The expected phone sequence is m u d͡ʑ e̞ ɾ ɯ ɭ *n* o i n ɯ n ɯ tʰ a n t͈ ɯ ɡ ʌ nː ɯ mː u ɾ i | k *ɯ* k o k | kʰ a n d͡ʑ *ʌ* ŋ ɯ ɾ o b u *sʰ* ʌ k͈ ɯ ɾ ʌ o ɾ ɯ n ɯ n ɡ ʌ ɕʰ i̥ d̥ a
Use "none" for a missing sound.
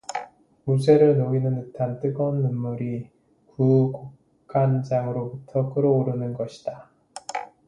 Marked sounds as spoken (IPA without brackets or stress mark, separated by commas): n, u, a, tʰ